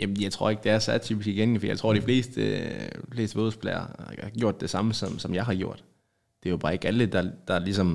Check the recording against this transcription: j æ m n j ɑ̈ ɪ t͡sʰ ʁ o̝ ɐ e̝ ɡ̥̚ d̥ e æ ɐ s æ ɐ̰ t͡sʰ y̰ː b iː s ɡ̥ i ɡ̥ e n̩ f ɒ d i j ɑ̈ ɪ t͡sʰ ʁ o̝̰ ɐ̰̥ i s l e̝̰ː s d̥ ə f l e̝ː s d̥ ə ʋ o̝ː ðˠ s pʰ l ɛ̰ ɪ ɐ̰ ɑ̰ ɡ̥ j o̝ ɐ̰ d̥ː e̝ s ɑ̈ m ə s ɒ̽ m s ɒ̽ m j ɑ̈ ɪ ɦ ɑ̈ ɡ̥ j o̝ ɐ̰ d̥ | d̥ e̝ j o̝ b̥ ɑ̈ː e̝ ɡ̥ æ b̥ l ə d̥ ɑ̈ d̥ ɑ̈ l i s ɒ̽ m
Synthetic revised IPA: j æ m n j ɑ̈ ɪ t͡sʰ ʁ o̝ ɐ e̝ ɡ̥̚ d̥ e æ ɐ s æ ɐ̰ t͡sʰ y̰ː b i s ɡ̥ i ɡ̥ e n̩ f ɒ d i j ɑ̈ ɪ t͡sʰ ʁ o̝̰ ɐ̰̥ i f l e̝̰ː s d̥ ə f l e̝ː s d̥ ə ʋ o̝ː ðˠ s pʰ l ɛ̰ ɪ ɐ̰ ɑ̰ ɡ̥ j o̝ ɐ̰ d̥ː e̝ s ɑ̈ m ə s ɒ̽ m s ɒ̽ m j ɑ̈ ɪ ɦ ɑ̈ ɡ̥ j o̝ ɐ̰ d̥ | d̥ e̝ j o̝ b̥ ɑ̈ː e̝ ɡ̥ æ l ə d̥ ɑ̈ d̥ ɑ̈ l i s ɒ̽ m